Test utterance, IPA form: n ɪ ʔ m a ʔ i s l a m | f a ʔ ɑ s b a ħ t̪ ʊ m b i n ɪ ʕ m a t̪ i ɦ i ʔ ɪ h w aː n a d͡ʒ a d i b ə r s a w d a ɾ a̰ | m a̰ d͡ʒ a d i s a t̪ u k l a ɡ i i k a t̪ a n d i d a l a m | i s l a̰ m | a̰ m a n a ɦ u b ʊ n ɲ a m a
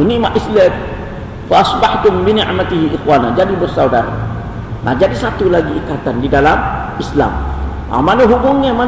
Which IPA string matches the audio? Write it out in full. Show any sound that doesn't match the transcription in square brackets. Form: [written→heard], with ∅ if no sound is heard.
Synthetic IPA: n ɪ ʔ m a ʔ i s l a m | f a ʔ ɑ s b a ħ t̪ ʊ m b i n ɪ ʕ m a t̪ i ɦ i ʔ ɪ [h→x] w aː n a d͡ʒ a d i b ə r s a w d a ɾ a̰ | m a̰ d͡ʒ a d i s a t̪ u [k→∅] l a ɡ i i k a t̪ a n d i d a l a m | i s l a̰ m | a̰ m a n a ɦ u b ʊ [n→ŋ] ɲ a m a